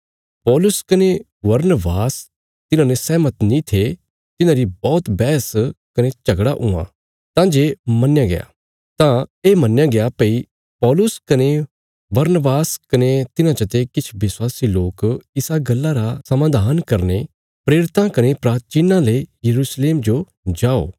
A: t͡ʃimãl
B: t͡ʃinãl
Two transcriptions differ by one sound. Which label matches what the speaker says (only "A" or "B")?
B